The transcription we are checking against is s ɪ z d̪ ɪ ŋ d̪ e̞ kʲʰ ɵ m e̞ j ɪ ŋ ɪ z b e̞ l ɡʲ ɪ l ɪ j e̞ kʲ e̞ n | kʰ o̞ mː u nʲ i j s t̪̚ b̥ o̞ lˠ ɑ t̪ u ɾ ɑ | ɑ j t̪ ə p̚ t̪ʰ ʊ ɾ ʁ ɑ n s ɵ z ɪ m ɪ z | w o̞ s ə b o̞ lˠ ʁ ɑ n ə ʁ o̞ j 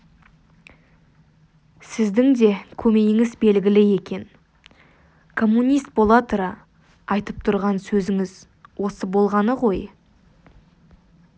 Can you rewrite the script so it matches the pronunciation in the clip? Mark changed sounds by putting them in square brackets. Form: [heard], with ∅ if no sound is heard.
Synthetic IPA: s ɪ z d̪ ɪ ŋ d̪ e̞ kʲʰ ɵ m e̞ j ɪ ŋ ɪ z b e̞ l ɡʲ ɪ l ɪ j e̞ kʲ e̞ n | kʰ o̞ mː u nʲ i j s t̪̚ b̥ o̞ lˠ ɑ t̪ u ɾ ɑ | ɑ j t̪ ə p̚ t̪ʰ ʊ ɾ ʁ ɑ n s ɵ z ɪ [ŋ] ɪ z | w o̞ s ə b o̞ lˠ ʁ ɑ n ə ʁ o̞ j